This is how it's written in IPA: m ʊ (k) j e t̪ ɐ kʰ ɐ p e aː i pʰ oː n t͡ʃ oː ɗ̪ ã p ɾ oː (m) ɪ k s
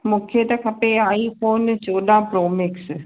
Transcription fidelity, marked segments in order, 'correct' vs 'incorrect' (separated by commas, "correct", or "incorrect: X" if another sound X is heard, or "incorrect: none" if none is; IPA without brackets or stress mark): incorrect: kʰ, correct